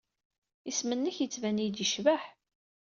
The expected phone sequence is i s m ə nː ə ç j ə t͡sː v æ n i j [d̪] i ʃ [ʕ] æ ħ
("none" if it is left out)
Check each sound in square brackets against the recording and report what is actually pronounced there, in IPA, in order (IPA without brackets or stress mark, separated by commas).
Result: d̪, v